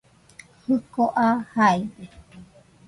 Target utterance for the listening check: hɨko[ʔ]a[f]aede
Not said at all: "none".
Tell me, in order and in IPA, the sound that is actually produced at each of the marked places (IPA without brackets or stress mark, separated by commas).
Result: ʔ, h